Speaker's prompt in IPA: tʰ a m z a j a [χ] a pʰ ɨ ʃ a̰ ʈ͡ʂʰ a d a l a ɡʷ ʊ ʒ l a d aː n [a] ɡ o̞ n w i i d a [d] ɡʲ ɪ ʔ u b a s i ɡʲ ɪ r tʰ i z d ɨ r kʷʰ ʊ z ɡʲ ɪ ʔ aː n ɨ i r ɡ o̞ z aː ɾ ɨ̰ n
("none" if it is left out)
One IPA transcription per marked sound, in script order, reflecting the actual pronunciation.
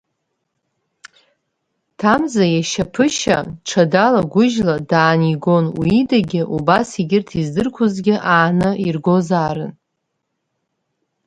ʃ, i, none

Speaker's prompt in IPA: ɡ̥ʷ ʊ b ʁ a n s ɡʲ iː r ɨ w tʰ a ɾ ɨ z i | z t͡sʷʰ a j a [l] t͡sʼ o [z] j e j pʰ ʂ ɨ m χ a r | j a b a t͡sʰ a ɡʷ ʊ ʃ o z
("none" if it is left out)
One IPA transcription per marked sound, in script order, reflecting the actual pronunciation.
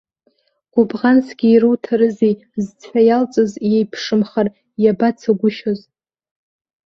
l, z

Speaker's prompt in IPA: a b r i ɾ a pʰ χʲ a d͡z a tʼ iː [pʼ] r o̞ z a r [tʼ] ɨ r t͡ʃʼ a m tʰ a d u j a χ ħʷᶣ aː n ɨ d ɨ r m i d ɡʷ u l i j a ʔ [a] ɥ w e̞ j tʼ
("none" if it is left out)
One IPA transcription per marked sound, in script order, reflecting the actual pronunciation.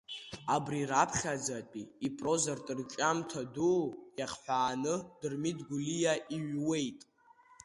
pʼ, tʼ, i

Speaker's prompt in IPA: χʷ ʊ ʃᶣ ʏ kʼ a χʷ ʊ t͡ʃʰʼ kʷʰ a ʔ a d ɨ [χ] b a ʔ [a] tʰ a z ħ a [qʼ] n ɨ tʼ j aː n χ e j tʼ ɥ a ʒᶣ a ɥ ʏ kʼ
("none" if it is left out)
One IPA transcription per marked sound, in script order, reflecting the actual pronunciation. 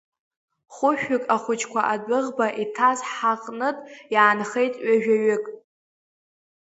ʁ, i, qʼ

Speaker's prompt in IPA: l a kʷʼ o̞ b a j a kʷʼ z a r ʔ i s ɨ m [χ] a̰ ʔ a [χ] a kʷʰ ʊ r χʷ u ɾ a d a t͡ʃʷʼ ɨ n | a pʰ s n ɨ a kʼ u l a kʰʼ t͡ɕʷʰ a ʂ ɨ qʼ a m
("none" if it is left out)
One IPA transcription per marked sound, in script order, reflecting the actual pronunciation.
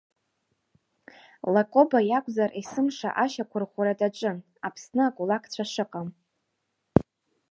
ʂ, ʃ

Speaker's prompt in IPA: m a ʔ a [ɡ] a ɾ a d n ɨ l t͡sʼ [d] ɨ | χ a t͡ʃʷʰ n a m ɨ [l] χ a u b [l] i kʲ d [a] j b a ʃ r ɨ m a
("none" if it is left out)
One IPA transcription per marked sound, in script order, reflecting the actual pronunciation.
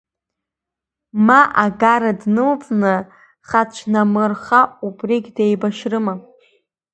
ɡ, n, r, r, e

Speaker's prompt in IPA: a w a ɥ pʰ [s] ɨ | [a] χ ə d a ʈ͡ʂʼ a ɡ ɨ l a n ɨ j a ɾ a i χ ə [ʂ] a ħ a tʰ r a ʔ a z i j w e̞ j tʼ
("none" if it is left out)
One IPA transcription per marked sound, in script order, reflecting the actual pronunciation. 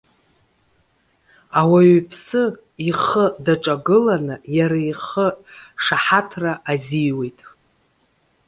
s, i, ʂ

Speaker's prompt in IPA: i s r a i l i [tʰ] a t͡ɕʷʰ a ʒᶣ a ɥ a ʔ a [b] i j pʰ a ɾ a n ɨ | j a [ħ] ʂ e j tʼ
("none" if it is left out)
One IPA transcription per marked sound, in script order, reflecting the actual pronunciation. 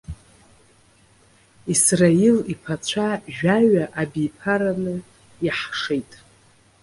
pʰ, b, ħ

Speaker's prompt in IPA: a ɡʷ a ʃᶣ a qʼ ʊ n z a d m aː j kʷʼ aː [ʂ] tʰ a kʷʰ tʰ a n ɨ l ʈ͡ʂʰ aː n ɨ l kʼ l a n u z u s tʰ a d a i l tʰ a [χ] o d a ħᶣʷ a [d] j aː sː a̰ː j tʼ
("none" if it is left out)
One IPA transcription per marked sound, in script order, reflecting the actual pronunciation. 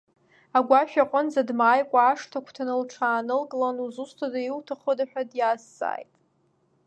ʂ, χ, d

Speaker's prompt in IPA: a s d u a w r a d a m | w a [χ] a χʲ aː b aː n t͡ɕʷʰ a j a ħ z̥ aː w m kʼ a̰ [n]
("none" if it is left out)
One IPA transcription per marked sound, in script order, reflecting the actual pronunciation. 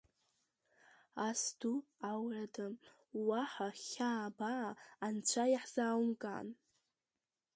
ħ, n

